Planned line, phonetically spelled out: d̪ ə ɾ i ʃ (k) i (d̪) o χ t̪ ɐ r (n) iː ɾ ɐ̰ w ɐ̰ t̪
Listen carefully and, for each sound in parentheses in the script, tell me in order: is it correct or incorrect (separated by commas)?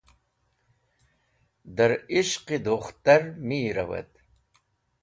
incorrect, correct, incorrect